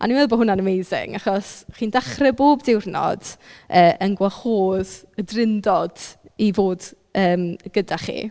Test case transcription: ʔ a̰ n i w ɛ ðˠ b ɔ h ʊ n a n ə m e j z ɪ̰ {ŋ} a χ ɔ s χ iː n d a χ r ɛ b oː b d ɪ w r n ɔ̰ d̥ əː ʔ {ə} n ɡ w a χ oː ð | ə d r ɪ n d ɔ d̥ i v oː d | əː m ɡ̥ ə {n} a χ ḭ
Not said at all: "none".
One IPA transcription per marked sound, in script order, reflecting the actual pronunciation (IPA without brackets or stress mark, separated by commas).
ŋ, ə, d